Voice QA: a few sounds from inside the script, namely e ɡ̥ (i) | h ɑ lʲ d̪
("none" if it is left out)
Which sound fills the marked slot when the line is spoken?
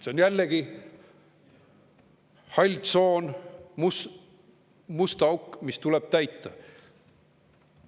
i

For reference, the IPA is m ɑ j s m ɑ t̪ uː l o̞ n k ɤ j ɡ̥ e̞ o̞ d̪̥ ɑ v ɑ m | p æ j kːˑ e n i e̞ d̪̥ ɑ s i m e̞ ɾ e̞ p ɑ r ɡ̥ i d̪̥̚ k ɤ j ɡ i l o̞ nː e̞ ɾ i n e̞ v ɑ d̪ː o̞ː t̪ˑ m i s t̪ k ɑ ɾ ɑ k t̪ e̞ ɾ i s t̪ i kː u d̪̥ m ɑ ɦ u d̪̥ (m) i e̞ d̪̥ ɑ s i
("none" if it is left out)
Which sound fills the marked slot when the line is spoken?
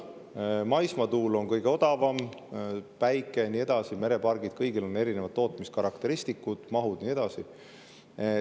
n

